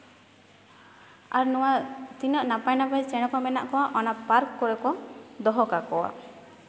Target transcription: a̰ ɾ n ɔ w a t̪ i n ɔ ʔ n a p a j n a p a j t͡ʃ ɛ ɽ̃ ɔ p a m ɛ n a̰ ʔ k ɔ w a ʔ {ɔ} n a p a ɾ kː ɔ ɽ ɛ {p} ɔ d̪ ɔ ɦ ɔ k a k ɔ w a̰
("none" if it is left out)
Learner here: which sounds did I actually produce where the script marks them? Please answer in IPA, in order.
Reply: ɔ, k

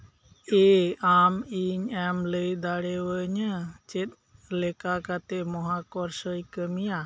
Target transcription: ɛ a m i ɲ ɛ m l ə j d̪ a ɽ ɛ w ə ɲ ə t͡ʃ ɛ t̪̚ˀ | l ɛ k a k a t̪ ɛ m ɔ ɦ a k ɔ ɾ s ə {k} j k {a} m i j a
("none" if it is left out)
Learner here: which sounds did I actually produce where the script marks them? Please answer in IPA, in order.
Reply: none, ə

